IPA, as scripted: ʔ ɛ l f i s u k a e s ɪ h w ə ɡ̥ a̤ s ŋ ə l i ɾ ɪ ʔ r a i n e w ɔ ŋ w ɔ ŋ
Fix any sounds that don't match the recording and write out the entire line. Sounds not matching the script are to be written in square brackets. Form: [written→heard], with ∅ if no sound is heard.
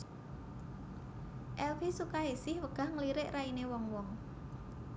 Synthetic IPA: ʔ ɛ l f i s u k a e s ɪ h w ə ɡ̥ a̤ [s→h] ŋ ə l i ɾ ɪ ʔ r a i n e w ɔ ŋ w ɔ ŋ